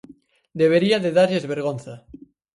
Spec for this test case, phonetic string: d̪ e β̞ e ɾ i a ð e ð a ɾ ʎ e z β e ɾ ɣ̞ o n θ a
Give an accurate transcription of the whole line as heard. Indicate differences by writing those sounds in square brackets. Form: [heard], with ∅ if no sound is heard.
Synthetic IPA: d̪ e β̞ e ɾ i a ð e ð a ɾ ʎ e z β e ɾ ɣ̞ o n θ a

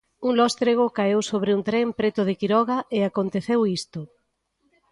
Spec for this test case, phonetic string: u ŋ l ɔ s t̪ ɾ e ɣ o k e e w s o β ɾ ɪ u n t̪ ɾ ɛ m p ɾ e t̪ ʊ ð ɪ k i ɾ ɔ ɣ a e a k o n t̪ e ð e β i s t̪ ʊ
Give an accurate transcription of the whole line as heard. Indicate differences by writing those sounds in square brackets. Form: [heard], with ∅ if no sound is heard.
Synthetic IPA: u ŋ l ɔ s t̪ ɾ e ɣ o k [a] e w s o β ɾ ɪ u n t̪ ɾ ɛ m p ɾ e t̪ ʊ ð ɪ k i ɾ ɔ ɣ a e a k o n t̪ e [θ] e [w] i s t̪ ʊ

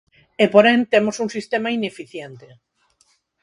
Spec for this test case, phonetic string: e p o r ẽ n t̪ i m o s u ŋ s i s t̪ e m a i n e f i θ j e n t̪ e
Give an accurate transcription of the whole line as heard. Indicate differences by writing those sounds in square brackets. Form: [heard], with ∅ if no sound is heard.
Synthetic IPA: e p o [ɾ] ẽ n t̪ [e] m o s u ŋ s i s t̪ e m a i n e f i θ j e n t̪ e

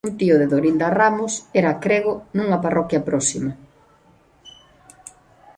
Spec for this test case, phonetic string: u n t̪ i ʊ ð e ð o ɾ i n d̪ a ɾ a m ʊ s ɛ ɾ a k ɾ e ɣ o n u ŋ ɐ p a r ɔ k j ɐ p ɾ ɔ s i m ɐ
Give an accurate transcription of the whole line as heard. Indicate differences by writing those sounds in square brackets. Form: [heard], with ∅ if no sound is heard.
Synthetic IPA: u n t̪ i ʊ ð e ð o ɾ i n d̪ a [r] a m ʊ s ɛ ɾ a k ɾ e ɣ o n u ŋ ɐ p a r ɔ k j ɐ p ɾ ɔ s i m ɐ

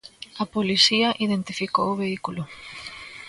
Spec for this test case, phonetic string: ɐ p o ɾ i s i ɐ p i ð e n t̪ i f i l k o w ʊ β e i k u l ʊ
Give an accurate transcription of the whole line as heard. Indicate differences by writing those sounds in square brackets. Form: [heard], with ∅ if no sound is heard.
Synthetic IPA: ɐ p o [l] i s i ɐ [ʔ] i ð e n t̪ i f i [∅] k o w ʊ β e i k u l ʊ

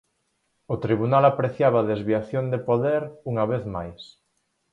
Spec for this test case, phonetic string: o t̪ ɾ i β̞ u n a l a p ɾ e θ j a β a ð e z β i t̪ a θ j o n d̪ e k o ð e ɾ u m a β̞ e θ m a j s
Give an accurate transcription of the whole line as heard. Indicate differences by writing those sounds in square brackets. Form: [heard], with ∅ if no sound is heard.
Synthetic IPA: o t̪ ɾ i β̞ u n a l a p ɾ e θ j a β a ð e z β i [∅] a θ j o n d̪ e [p] o ð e ɾ u [ŋ] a β̞ e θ m a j s

